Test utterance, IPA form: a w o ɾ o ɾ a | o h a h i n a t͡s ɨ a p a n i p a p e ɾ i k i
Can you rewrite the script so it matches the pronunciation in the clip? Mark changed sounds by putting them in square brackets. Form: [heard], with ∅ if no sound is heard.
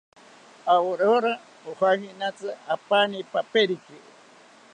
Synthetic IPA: a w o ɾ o ɾ a | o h a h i n a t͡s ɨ a p a n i p a p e ɾ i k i